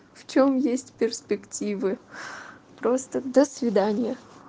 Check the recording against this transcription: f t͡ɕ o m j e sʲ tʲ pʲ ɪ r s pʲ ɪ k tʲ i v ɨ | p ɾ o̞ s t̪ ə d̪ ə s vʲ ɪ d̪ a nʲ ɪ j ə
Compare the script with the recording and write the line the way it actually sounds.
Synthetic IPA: f t͡ɕ o m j e sʲ tʲ pʲ ɪ r s pʲ ɪ k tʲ i v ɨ | p ɾ o̞ s t̪ ə d̪ ə s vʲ ɪ d̪ a nʲ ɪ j ə